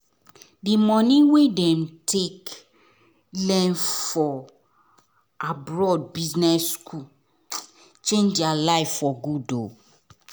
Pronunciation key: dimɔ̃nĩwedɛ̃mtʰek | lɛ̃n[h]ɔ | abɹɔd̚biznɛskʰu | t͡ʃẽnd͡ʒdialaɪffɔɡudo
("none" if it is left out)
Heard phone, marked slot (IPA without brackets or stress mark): f